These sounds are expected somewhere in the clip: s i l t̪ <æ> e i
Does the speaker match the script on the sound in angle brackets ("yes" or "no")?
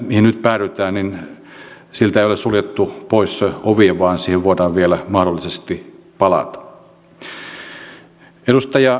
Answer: yes